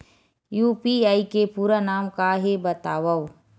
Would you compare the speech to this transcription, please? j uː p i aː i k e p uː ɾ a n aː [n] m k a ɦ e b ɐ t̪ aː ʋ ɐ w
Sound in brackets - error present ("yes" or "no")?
yes